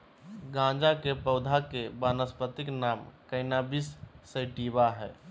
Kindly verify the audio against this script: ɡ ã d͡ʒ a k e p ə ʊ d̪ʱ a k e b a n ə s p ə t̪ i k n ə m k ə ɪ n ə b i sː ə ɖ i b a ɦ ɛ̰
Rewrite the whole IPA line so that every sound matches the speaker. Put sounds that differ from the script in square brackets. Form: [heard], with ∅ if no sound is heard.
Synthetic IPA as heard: ɡ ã d͡ʒ a k e p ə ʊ d̪ʱ a k e b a n ə s p ə t̪ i k n [a] m k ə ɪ n [a] b i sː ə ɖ i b a ɦ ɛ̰